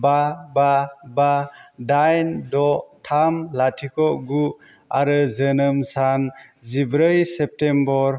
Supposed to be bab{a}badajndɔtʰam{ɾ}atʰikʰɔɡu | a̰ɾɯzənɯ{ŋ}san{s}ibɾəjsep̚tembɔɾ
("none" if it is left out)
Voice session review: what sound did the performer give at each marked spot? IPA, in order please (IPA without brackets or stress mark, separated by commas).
a, l, m, z